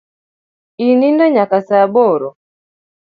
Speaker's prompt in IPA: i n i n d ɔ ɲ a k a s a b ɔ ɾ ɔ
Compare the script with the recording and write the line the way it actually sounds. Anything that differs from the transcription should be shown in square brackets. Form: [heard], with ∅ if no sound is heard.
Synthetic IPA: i n i n d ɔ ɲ a k a s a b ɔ ɾ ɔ